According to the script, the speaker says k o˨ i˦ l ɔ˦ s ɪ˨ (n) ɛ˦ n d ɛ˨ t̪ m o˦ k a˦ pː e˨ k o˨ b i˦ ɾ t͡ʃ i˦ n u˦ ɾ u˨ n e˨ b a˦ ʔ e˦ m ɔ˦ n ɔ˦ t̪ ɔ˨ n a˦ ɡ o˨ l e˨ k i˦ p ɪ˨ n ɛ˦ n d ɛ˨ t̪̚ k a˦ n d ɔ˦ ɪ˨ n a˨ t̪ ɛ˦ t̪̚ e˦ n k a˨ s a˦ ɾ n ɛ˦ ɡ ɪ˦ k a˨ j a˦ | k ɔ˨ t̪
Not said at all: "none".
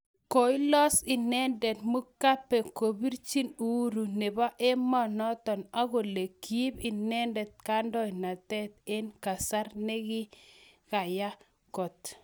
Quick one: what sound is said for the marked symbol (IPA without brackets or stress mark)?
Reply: n